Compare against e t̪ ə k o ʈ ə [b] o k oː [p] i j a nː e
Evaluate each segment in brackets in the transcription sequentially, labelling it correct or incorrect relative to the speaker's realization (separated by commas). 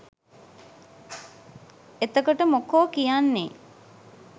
incorrect, incorrect